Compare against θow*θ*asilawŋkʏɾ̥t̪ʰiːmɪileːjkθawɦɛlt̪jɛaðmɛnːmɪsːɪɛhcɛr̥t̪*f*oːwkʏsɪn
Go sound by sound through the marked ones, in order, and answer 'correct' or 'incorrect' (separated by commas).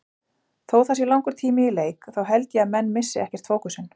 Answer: correct, correct